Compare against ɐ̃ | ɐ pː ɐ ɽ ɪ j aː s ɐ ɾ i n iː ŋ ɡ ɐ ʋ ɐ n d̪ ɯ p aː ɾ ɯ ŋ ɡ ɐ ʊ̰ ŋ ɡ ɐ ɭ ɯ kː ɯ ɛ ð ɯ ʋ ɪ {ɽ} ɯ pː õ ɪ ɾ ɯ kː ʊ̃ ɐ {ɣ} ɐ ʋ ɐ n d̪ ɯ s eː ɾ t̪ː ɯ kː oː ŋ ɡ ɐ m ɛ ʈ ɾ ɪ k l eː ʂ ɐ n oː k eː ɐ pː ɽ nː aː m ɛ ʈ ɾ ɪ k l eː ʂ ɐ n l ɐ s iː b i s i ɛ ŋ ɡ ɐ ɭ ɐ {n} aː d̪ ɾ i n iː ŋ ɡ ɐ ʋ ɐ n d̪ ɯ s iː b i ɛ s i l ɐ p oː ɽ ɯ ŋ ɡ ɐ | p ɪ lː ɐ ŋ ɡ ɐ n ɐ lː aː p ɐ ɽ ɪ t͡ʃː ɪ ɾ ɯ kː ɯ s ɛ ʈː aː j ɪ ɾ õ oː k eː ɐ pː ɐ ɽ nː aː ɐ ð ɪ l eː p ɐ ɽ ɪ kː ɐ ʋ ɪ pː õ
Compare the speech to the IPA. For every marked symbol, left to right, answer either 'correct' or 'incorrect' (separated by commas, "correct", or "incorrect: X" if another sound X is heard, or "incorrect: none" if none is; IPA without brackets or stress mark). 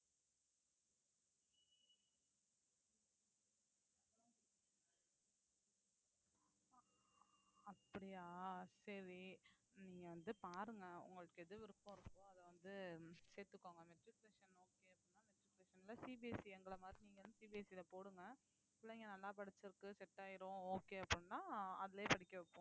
incorrect: ɾ, incorrect: ð, incorrect: m